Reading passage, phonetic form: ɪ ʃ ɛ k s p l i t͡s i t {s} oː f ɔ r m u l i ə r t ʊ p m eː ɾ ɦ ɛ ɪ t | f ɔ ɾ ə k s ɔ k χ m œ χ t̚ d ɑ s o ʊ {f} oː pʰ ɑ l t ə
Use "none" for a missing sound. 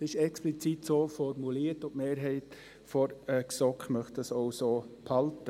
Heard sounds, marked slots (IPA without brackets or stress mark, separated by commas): s, s